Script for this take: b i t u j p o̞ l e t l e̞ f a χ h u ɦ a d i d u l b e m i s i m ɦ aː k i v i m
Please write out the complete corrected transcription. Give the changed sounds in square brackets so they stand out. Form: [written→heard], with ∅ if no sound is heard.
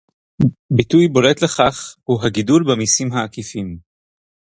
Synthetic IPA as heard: b i t u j [p→b] o̞ l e t l e̞ [f→χ] a χ h u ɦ a [d→ɡ] i d u l b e m i s i m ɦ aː k i [v→f] i m